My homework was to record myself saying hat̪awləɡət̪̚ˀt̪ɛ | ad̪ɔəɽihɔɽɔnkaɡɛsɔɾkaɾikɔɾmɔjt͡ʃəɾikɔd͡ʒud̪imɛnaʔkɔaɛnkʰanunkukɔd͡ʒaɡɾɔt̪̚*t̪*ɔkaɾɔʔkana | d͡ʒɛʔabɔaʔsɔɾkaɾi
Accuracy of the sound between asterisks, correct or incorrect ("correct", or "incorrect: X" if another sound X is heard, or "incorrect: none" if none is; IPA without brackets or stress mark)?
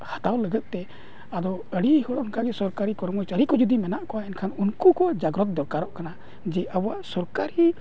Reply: incorrect: d̪